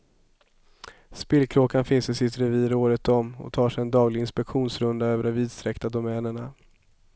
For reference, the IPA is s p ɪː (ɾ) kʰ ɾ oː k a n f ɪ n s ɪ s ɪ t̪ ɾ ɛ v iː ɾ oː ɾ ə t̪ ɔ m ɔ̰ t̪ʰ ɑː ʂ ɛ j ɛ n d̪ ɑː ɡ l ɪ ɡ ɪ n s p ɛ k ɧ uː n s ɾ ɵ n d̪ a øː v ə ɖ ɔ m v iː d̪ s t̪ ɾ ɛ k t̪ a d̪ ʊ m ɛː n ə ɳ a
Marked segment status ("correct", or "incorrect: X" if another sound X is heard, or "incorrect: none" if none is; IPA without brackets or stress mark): incorrect: l